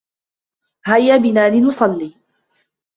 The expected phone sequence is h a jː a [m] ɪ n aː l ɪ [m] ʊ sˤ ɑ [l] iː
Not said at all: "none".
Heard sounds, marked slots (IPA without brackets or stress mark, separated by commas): b, n, lː